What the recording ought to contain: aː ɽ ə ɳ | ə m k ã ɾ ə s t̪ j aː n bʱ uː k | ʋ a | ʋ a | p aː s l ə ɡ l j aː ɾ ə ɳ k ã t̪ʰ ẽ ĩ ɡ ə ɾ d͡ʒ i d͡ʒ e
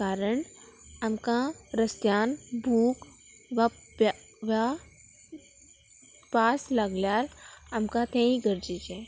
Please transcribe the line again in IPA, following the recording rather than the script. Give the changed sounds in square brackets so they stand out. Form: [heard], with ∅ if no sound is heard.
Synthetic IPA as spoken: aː [ɾ] ə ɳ | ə m k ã ɾ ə s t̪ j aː n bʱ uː k | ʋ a | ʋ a | p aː s l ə ɡ l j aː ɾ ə [m] k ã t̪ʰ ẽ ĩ ɡ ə ɾ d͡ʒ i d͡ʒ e